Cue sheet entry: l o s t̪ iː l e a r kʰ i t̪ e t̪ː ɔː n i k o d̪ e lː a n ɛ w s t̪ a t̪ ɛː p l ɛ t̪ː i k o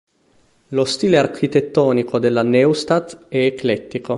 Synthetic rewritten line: l o s t̪ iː l e a r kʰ i t̪ e t̪ː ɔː n i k o d̪ e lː a n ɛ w s t̪ a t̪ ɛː k l ɛ t̪ː i k o